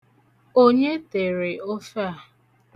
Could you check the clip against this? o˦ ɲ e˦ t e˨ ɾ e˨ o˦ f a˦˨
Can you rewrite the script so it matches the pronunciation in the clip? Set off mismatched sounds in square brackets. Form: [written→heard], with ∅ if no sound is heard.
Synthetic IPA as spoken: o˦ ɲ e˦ t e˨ ɾ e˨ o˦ f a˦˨

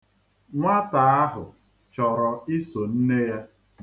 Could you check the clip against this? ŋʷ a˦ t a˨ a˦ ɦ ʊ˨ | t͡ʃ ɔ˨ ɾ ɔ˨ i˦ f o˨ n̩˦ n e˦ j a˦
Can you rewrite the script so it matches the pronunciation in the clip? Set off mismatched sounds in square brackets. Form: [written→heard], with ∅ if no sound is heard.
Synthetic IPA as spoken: ŋʷ a˦ t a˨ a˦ ɦ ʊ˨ | t͡ʃ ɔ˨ ɾ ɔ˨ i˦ [f→s] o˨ n̩˦ n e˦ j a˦

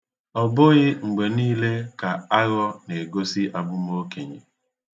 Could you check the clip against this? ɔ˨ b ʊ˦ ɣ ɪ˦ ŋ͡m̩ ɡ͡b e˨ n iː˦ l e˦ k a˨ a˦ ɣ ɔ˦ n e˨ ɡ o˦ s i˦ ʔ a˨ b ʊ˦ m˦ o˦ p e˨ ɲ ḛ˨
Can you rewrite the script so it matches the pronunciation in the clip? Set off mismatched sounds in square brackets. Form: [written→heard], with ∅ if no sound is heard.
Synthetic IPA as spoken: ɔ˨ b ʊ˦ ɣ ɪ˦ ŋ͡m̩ ɡ͡b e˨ n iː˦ l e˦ k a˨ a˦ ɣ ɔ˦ n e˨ ɡ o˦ s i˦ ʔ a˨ b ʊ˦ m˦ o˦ [p→k] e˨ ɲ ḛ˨

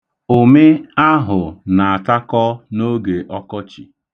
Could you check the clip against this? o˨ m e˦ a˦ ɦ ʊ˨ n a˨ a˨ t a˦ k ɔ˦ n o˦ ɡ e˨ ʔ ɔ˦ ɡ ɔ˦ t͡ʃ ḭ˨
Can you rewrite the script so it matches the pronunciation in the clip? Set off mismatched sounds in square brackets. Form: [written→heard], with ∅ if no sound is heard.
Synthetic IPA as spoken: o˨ m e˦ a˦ ɦ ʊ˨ n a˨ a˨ t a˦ k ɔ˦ n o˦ ɡ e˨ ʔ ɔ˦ [ɡ→k] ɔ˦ t͡ʃ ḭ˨

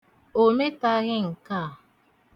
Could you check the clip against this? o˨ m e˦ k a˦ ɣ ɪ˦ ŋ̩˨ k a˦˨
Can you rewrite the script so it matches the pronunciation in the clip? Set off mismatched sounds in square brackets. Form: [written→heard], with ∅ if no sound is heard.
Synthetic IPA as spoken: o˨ m e˦ [k→t] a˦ ɣ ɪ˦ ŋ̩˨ k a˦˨

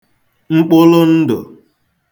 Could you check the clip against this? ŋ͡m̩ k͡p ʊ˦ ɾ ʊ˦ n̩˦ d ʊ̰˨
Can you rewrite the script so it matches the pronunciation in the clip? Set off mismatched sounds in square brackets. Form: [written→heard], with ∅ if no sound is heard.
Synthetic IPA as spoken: ŋ͡m̩ k͡p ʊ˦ [ɾ→l] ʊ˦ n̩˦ d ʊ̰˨

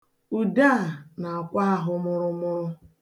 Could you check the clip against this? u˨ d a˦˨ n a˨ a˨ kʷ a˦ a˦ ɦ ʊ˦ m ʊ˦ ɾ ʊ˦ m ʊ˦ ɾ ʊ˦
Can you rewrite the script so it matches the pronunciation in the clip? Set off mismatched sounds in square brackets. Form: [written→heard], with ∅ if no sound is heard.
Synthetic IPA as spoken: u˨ d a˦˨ n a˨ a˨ kʷ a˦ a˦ ɦ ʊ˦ m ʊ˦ ɾ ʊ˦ m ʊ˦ ɾ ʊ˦

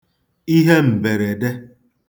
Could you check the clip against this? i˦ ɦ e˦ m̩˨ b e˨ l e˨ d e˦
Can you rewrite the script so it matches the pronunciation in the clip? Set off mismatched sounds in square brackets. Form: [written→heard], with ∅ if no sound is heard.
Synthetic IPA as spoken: i˦ ɦ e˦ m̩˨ b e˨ [l→ɾ] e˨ d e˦

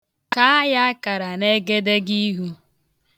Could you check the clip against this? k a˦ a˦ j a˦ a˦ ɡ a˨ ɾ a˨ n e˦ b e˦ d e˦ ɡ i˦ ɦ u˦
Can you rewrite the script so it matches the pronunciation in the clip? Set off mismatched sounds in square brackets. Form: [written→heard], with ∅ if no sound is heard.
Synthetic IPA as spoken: k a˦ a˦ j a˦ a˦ [ɡ→k] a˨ ɾ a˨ n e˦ [b→ɡ] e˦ d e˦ ɡ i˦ ɦ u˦

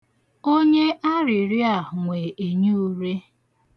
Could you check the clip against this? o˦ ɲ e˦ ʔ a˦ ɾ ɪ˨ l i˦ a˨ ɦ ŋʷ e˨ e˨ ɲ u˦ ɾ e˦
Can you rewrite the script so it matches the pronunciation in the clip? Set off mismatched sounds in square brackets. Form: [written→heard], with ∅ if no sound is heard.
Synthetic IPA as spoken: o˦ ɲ e˦ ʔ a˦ ɾ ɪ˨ [l→ɾ] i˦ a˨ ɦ ŋʷ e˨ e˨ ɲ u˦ ɾ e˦

